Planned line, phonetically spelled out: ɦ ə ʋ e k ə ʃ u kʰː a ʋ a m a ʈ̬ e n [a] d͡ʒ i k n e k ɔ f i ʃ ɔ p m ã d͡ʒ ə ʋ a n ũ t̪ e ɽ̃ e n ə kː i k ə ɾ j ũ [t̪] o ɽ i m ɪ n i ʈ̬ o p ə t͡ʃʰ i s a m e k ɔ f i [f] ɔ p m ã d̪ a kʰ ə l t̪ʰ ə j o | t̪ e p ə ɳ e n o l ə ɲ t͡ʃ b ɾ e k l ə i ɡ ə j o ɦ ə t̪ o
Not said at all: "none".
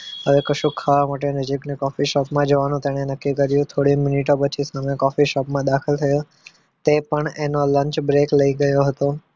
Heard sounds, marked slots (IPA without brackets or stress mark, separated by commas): ə, t̪ʰ, ʃ